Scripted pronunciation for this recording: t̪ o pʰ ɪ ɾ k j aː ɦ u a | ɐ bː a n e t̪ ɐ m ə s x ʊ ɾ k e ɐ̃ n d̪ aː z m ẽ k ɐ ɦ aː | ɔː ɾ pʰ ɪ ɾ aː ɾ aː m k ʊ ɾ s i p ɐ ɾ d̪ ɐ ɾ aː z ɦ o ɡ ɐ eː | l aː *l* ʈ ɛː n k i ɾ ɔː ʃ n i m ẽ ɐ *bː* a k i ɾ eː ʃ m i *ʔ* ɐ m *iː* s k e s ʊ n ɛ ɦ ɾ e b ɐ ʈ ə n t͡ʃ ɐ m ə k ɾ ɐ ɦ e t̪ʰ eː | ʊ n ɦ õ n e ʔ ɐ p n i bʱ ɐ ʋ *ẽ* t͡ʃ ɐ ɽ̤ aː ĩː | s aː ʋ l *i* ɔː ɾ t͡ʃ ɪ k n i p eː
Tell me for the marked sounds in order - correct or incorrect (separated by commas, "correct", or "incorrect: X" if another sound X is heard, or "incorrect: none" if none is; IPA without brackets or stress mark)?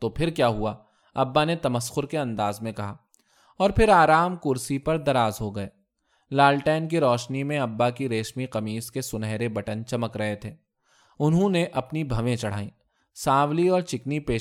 correct, correct, incorrect: q, correct, correct, correct